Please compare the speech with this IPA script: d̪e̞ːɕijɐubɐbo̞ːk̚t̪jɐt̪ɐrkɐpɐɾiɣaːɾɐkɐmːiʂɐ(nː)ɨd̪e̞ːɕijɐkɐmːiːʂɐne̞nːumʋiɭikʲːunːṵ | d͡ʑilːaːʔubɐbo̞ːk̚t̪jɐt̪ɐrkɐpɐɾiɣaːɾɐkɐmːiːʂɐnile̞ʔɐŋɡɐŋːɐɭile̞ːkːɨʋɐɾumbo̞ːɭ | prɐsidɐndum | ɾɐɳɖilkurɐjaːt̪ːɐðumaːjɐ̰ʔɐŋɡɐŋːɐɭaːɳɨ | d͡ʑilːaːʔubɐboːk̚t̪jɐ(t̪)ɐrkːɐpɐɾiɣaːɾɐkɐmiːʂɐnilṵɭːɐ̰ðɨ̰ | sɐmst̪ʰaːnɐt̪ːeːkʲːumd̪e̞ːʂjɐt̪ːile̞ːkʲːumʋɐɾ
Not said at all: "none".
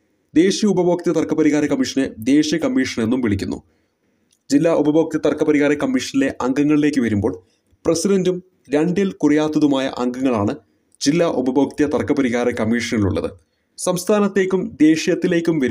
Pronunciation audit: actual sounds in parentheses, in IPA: n, t̪

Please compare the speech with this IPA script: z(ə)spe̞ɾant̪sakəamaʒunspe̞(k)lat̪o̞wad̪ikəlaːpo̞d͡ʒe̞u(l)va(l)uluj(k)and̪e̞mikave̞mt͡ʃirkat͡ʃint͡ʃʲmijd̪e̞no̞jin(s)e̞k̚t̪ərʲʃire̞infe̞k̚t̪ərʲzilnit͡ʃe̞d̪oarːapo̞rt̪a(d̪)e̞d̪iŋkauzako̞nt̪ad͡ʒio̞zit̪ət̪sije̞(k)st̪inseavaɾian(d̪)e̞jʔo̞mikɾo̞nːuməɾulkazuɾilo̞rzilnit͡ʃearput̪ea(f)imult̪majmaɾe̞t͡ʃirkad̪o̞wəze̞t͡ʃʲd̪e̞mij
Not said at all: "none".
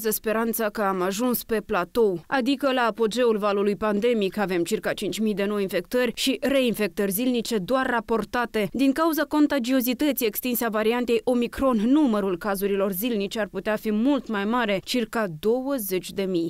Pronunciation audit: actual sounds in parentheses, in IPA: ə, p, l, l, p, f, t̪, k, t̪, f

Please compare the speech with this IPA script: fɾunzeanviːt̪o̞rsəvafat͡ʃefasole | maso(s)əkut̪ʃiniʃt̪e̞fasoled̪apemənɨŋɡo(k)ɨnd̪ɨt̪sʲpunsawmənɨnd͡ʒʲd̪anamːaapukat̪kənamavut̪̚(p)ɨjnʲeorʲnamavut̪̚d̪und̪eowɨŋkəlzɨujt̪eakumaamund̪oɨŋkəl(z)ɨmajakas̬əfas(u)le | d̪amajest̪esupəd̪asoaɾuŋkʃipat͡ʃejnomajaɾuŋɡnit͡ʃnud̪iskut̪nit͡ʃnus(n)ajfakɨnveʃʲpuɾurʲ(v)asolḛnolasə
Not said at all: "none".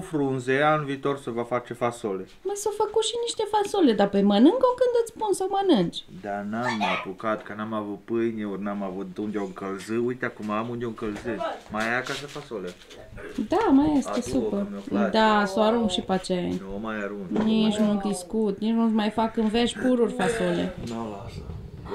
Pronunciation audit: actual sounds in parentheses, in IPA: f, k, p, z, o, m, f

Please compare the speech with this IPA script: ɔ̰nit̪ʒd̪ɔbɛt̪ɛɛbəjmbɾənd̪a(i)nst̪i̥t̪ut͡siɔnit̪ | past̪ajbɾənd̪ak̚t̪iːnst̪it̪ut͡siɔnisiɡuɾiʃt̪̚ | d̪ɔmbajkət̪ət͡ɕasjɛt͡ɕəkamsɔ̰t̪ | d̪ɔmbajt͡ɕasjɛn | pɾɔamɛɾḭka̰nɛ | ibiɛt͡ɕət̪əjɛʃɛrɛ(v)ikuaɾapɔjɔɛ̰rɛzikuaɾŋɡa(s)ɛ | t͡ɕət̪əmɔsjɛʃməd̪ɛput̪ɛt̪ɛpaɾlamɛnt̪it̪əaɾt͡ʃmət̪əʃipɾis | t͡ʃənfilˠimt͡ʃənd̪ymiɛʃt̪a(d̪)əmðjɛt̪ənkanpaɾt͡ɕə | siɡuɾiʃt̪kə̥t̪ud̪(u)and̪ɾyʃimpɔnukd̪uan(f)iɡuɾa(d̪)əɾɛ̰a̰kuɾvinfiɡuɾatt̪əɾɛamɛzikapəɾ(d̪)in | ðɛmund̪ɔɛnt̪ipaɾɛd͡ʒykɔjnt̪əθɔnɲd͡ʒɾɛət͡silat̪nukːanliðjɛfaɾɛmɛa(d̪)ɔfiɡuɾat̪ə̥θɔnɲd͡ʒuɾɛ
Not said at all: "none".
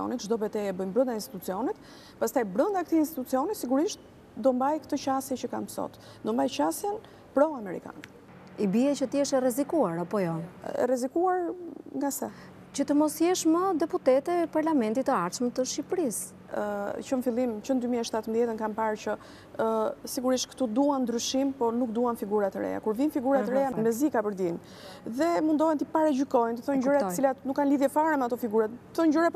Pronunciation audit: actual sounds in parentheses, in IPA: i, z, s, t̪, u, f, t̪, d̪, t̪

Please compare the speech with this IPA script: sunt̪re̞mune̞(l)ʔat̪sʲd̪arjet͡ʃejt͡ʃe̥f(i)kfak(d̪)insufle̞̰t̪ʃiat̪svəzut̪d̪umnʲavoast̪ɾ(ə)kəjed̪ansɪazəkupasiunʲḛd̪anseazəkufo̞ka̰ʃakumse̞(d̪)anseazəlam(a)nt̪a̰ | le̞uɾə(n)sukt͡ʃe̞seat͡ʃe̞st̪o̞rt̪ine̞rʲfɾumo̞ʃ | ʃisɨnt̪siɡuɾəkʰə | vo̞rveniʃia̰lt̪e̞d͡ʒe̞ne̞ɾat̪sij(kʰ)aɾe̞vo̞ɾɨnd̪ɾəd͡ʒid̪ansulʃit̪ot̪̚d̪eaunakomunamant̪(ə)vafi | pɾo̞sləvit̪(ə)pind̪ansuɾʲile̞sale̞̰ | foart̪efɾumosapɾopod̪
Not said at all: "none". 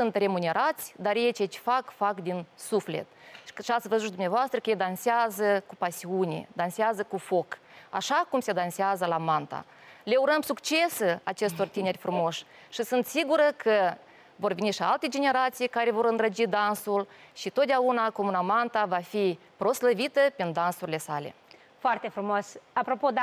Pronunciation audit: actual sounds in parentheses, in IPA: ɾ, a, d̪, ə, d̪, a, m, k, a, ə

